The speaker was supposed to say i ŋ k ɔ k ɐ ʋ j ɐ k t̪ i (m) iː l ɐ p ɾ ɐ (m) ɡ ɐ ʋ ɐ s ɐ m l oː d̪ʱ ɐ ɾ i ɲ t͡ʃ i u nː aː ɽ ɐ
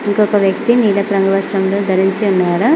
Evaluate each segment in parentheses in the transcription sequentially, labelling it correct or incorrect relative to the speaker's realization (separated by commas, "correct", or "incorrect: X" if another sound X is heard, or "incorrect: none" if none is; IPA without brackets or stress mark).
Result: incorrect: n, incorrect: ŋ